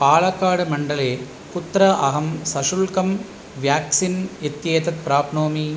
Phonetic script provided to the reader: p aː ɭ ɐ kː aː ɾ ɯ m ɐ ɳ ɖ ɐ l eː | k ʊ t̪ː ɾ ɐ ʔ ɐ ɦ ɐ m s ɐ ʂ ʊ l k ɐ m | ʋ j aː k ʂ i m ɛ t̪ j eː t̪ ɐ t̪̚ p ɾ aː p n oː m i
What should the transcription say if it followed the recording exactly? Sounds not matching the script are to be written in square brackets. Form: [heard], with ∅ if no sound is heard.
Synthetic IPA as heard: p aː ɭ ɐ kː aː [ɽ] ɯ m ɐ ɳ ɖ ɐ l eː | k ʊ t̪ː ɾ ɐ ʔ ɐ ɦ ɐ m s ɐ ʂ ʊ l k ɐ m | ʋ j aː k [s] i [n] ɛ t̪ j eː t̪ ɐ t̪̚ p ɾ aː p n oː m i